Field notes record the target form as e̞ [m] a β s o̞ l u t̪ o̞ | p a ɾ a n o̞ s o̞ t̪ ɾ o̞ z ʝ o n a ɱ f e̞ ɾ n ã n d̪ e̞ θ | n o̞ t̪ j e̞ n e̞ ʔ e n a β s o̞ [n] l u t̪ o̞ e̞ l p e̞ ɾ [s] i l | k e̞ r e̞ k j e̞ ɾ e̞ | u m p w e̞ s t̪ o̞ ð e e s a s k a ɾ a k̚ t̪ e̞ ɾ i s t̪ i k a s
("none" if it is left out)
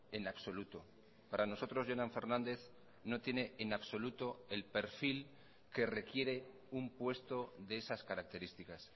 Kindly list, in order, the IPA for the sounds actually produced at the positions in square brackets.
n, none, f

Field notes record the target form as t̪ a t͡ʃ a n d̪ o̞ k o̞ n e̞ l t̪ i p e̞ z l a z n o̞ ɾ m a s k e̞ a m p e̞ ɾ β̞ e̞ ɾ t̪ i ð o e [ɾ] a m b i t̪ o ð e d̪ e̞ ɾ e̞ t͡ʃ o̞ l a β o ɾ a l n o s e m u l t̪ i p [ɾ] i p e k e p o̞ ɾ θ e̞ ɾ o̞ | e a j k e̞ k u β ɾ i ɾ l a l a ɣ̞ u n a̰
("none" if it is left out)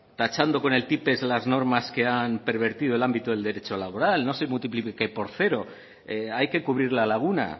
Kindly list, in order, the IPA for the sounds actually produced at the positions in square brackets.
l, l

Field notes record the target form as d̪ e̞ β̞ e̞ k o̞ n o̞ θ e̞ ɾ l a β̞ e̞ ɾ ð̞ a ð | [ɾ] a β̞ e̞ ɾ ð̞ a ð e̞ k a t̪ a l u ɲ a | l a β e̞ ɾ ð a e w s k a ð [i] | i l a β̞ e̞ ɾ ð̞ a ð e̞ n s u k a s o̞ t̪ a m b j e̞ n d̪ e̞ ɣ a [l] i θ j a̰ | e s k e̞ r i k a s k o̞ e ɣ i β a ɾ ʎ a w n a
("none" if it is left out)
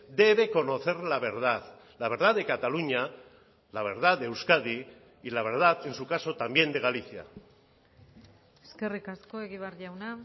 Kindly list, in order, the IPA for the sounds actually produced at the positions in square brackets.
l, i, l

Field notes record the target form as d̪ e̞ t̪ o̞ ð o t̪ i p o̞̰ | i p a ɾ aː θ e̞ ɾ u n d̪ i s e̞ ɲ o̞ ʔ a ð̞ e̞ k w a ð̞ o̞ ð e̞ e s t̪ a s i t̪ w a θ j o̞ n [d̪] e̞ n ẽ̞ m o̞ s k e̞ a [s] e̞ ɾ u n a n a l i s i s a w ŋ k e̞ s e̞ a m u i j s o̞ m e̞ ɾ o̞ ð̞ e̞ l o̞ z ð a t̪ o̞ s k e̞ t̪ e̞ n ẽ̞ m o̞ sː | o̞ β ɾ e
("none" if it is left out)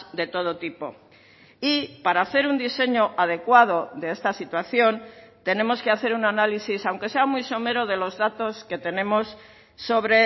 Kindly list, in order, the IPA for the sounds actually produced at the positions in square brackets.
t̪, θ

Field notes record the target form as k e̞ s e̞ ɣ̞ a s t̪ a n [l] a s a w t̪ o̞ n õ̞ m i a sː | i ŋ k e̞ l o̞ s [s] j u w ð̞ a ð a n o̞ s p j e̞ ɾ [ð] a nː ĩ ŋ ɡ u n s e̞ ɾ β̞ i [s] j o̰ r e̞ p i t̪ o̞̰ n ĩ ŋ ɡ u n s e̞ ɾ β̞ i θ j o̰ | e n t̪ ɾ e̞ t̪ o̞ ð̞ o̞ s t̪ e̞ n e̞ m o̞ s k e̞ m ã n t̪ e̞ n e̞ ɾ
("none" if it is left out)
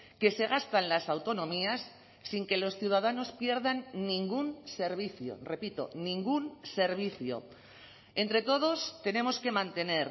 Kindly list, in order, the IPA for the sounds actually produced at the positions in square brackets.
l, θ, ð, θ

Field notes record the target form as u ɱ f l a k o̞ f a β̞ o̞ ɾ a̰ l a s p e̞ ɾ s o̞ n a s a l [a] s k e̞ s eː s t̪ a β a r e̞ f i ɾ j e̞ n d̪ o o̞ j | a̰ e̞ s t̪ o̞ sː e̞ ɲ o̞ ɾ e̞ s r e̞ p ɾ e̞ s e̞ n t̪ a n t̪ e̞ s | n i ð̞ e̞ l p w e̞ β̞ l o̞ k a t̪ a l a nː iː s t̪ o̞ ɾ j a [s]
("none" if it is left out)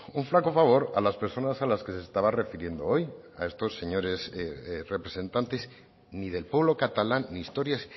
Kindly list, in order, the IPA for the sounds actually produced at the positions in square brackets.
a, s

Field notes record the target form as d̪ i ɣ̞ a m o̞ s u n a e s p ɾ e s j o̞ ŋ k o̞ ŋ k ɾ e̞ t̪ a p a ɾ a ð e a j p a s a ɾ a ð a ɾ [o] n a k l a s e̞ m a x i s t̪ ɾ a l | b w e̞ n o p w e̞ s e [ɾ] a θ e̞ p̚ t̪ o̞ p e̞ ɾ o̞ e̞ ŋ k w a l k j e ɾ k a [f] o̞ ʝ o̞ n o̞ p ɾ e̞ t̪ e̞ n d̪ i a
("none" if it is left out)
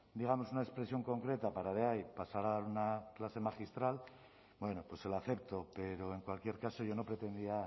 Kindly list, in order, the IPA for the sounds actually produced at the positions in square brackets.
u, l, s

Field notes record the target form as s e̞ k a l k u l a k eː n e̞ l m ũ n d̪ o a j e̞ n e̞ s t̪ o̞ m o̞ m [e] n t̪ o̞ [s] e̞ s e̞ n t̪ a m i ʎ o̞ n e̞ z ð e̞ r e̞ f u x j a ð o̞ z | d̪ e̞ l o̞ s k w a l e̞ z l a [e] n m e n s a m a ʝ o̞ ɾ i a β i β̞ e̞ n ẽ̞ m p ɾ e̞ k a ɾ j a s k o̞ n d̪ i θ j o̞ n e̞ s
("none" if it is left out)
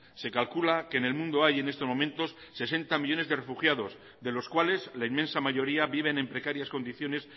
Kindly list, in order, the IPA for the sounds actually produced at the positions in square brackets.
ẽ, sː, i

